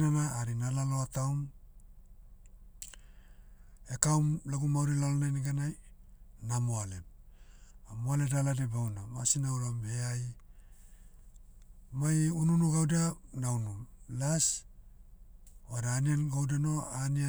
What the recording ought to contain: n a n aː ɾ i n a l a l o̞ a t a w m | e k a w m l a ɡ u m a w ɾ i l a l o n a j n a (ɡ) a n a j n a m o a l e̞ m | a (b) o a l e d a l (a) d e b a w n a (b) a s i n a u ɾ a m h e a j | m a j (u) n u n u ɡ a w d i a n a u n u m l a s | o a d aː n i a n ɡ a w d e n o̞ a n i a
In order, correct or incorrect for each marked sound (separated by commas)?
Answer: correct, incorrect, correct, incorrect, correct